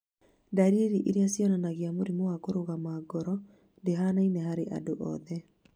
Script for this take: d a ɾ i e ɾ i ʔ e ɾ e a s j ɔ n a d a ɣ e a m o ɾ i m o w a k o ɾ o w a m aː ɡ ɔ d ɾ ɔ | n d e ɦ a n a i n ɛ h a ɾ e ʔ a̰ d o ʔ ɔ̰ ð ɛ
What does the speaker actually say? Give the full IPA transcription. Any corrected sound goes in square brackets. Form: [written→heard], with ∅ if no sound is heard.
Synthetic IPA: d a ɾ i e ɾ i ʔ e ɾ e a s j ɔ n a [d→n] a ɣ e a m o ɾ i m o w a k o ɾ o [w→ɣ] a m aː ɡ ɔ [d→∅] ɾ ɔ | n d e ɦ a n a i n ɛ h a ɾ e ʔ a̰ d o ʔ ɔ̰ ð ɛ